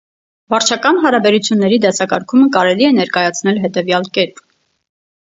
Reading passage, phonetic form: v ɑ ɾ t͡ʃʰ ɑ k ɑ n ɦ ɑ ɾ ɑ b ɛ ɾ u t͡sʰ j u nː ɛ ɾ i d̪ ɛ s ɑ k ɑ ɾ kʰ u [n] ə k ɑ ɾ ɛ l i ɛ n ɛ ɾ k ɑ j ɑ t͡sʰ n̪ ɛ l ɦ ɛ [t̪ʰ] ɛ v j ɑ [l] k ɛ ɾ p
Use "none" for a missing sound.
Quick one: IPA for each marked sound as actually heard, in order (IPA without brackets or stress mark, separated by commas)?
m, t̪, l